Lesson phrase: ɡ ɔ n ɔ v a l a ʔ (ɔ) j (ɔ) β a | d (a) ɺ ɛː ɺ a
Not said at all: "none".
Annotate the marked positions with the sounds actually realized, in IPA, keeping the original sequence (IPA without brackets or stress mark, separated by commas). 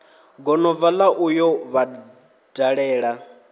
u, ɔ, a